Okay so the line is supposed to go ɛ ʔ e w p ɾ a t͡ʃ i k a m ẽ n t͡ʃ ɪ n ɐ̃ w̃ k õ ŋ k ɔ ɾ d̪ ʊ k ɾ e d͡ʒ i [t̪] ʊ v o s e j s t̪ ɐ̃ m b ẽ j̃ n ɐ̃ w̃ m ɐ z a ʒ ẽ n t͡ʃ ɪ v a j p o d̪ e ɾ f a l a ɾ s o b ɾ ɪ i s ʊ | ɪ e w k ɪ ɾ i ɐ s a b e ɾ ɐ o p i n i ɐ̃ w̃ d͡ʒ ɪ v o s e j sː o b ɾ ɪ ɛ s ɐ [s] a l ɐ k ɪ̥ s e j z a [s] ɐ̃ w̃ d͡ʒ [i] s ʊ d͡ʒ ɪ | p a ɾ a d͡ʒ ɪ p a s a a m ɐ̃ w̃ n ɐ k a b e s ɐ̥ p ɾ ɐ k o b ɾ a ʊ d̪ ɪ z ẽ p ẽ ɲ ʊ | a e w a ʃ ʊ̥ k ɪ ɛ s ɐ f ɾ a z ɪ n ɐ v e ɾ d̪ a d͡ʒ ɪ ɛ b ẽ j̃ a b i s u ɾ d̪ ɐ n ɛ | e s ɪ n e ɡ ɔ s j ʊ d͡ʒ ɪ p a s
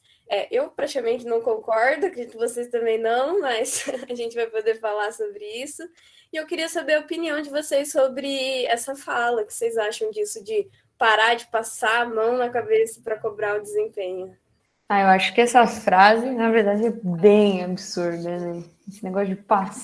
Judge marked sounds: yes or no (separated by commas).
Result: yes, no, no, yes